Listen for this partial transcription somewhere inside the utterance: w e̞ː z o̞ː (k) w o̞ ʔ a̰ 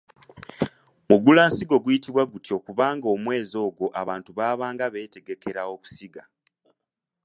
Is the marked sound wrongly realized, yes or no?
yes